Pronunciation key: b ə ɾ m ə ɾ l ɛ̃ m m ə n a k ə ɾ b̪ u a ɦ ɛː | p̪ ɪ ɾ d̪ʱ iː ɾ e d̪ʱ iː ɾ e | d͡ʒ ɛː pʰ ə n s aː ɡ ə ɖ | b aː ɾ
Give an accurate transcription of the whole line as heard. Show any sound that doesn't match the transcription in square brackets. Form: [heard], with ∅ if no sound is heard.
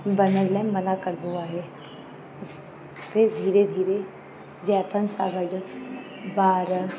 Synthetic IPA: b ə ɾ [n] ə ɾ l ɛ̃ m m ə n a k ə ɾ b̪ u a ɦ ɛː | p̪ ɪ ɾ d̪ʱ iː ɾ e d̪ʱ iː ɾ e | d͡ʒ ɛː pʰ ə n s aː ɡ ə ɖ | b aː ɾ